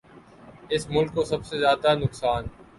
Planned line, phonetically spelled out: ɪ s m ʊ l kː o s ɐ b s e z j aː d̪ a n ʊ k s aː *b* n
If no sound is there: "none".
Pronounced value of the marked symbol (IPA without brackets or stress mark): none